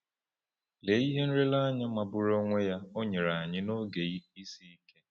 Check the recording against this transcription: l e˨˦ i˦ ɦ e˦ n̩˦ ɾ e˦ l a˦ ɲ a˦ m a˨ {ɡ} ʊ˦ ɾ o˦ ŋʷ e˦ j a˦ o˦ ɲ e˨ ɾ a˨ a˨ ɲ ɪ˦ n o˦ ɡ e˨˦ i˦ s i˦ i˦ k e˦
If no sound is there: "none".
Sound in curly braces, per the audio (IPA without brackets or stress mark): b